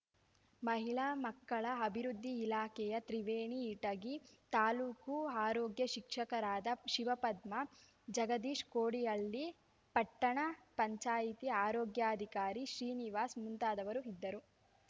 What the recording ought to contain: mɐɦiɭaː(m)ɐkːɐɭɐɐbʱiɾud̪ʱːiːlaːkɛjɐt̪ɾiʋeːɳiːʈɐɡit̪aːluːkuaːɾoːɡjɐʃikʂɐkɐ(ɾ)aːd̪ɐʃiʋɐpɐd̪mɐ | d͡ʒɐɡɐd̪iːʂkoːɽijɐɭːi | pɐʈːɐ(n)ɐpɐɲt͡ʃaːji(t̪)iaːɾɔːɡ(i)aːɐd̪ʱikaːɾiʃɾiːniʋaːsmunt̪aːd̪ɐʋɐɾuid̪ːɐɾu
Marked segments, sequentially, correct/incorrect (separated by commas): correct, correct, incorrect, correct, incorrect